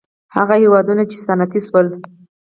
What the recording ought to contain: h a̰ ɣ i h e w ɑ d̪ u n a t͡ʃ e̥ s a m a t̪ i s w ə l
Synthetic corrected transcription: h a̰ ɣ a h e w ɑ d̪ u n a t͡ʃ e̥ s a n a t̪ i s w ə l